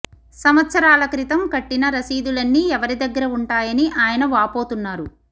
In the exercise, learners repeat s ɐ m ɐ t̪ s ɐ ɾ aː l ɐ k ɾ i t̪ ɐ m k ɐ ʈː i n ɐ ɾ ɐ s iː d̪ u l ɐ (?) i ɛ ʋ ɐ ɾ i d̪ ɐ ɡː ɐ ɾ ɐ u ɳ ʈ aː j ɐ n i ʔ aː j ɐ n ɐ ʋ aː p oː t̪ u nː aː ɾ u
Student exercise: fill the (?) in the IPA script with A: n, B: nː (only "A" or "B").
B